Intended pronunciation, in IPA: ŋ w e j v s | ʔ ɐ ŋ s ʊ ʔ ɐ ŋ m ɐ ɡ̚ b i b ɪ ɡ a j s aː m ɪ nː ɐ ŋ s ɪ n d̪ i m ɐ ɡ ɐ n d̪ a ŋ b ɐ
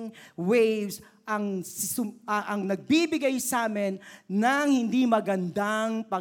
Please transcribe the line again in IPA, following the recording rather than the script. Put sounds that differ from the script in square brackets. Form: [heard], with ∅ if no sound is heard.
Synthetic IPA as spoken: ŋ w e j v s | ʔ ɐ ŋ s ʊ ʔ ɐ ŋ [n] ɐ ɡ̚ b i b ɪ ɡ a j s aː m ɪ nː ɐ ŋ [h] ɪ n d̪ i m ɐ ɡ ɐ n d̪ a ŋ [p] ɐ